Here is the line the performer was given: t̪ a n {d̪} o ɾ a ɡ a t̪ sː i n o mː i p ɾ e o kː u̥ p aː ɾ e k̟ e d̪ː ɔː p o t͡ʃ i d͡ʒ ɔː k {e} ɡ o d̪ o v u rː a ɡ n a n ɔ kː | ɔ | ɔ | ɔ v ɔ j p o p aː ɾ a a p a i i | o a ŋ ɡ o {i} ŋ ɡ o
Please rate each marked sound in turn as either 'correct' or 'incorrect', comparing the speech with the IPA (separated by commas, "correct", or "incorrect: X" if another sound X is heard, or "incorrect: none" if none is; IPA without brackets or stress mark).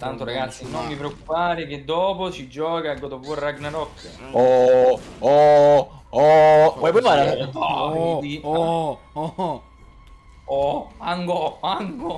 incorrect: t̪, incorrect: a, incorrect: a